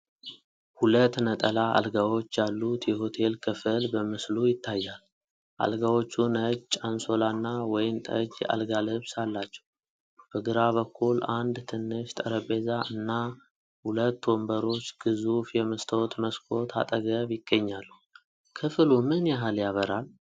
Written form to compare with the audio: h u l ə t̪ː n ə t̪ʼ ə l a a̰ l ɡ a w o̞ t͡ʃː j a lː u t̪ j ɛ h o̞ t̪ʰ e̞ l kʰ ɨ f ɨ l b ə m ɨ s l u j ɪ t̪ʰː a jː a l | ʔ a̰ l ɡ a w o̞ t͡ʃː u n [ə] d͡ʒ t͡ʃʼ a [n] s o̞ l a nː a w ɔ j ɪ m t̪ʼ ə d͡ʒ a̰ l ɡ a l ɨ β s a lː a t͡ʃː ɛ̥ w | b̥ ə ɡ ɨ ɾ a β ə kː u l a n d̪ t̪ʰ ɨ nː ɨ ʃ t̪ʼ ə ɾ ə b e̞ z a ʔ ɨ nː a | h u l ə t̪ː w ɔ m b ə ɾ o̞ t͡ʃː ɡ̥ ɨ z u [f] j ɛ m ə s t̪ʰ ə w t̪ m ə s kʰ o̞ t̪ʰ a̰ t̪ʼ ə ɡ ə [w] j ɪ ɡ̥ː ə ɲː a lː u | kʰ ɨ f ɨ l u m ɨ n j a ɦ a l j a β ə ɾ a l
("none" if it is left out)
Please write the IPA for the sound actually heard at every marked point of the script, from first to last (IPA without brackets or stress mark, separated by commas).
ə, n, f, β